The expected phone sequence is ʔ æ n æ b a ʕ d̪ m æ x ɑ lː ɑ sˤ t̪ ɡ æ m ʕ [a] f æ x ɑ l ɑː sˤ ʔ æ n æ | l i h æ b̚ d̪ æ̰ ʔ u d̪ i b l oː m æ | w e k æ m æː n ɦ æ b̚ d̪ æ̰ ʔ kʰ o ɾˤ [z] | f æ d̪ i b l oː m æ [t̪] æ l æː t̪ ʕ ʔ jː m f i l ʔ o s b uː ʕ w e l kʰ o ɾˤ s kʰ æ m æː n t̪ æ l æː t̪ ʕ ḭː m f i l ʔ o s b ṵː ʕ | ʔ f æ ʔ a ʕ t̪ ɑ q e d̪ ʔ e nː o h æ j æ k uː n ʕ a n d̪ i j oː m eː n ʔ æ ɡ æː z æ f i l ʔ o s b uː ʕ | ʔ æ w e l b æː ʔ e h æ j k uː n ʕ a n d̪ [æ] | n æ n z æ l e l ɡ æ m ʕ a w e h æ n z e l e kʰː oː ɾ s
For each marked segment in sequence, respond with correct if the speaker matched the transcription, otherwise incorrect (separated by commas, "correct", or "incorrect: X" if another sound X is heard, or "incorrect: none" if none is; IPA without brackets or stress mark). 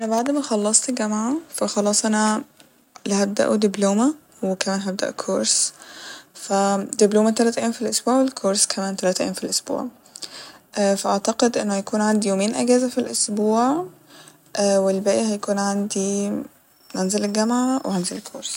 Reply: correct, incorrect: s, correct, incorrect: i